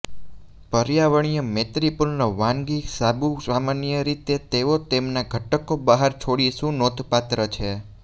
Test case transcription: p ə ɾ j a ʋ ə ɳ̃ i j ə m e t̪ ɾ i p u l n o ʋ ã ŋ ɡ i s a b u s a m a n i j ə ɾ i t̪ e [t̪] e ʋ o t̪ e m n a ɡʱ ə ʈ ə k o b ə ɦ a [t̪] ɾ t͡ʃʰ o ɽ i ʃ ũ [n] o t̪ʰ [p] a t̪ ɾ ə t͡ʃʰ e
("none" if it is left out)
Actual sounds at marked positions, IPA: t̪, none, n, p

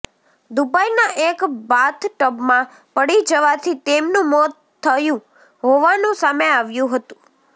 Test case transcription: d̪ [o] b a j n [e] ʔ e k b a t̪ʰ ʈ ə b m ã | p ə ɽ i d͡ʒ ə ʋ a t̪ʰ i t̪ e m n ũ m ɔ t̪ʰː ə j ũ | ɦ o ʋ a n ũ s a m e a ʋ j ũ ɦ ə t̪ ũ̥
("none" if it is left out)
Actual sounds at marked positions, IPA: u, a

